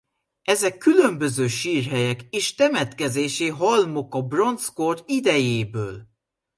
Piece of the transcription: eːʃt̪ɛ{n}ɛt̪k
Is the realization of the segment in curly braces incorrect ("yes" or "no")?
yes